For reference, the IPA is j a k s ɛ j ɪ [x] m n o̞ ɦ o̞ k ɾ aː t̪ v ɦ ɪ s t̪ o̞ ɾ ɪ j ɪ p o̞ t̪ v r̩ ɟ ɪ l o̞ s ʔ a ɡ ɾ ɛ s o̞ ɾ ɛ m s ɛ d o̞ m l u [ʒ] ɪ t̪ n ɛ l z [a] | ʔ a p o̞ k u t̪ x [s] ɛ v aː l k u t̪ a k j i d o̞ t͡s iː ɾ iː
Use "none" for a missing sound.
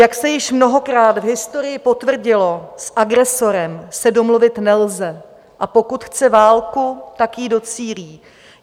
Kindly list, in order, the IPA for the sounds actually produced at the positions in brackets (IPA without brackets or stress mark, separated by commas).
ʃ, v, ɛ, t͡s